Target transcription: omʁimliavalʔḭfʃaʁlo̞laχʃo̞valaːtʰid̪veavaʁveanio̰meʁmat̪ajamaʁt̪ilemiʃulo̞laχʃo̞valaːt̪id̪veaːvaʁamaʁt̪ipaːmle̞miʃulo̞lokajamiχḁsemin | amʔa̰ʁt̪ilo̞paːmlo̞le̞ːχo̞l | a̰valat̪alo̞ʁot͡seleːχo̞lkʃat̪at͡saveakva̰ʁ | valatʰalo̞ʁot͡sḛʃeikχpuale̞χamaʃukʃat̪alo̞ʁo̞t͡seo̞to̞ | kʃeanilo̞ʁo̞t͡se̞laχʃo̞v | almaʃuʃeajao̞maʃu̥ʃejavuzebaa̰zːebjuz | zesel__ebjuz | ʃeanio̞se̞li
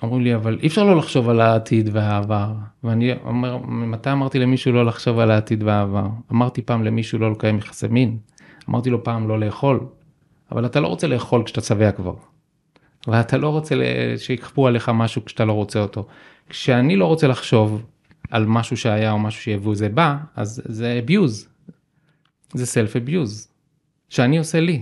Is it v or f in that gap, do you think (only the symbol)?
f